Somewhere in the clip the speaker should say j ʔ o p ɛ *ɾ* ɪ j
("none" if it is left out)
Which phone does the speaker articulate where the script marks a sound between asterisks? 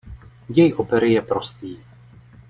ɾ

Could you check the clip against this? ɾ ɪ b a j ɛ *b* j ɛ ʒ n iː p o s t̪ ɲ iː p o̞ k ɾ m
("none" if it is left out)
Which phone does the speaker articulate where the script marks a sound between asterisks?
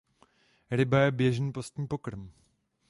b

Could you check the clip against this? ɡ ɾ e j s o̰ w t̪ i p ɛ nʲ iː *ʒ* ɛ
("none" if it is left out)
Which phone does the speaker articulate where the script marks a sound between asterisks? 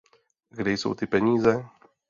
z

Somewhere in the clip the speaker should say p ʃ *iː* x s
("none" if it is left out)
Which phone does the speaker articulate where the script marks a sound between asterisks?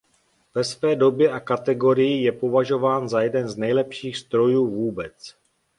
iː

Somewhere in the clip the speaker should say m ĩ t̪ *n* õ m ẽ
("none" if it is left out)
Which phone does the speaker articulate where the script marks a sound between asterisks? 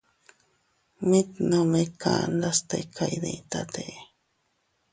n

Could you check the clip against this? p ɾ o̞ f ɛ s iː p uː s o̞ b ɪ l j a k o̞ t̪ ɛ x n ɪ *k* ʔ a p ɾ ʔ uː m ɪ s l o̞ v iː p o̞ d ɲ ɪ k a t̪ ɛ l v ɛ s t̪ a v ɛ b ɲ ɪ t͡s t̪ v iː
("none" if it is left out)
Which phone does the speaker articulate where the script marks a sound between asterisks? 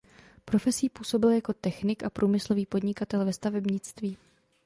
k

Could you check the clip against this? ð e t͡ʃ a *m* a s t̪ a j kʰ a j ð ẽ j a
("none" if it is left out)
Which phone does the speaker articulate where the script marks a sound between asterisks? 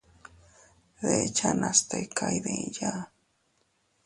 n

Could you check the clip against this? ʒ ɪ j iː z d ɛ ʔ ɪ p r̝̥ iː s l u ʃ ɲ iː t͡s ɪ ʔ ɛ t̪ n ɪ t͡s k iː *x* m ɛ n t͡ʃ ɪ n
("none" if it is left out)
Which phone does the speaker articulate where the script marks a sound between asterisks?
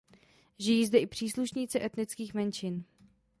x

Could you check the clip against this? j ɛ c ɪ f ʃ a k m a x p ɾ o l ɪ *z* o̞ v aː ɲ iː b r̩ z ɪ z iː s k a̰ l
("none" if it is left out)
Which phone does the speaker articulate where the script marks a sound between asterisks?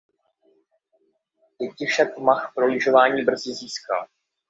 ʒ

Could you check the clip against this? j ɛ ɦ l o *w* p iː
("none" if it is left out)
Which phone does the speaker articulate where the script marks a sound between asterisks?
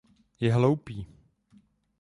w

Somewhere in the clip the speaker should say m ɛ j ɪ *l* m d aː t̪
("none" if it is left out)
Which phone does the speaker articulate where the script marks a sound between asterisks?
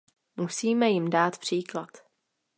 none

